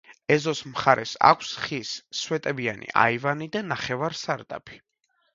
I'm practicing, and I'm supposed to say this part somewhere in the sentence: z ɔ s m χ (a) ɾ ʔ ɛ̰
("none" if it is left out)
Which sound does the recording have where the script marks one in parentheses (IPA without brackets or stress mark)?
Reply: a